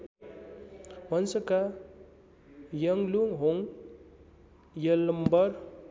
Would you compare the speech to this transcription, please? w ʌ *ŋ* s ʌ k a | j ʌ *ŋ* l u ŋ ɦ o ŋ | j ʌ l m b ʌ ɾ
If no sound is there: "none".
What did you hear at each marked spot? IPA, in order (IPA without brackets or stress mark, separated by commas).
n, ŋ